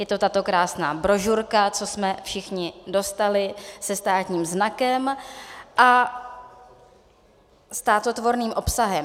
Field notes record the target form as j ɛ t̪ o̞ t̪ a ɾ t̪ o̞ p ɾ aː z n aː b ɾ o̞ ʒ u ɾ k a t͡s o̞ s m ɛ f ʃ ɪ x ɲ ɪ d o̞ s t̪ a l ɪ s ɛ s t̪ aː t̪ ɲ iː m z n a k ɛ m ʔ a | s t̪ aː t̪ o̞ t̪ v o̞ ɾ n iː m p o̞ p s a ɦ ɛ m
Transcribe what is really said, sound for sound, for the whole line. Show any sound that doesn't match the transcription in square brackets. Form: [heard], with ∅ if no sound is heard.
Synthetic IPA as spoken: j ɛ t̪ o̞ t̪ a [∅] t̪ o̞ [k] ɾ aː [s] n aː b ɾ o̞ ʒ u ɾ k a t͡s o̞ s m ɛ f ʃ ɪ x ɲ ɪ d o̞ s t̪ a l ɪ s ɛ s t̪ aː t̪ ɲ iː m z n a k ɛ m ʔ a | s t̪ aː t̪ o̞ t̪ v o̞ ɾ n iː m [ʔ] o̞ p s a ɦ ɛ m